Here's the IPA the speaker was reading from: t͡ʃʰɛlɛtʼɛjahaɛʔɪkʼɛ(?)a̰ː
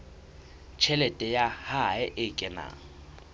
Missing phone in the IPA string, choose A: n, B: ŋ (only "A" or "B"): A